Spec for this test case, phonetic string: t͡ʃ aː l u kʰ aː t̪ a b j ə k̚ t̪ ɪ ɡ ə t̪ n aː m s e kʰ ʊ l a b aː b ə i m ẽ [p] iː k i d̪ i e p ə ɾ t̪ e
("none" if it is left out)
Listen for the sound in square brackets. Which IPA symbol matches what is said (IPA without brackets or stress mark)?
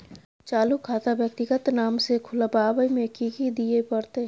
k